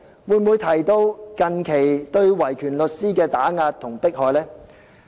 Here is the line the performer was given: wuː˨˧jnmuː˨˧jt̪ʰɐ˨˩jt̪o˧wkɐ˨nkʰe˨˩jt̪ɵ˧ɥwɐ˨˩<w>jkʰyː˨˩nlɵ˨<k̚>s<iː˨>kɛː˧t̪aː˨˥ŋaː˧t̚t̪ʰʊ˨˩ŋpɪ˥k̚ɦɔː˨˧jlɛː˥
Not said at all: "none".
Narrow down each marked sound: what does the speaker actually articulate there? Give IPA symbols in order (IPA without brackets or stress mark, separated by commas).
none, t̚, iː˥